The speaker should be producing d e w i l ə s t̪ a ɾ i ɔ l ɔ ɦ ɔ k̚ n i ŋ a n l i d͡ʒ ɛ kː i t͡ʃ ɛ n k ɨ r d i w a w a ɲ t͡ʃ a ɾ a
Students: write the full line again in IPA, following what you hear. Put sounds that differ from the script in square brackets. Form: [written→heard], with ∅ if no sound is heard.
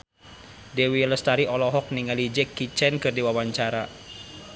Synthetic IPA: d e w i l ə s t̪ a ɾ i ɔ l ɔ ɦ ɔ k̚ n i ŋ a [n→∅] l i d͡ʒ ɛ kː i t͡ʃ ɛ n k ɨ r d i w a w a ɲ t͡ʃ a ɾ a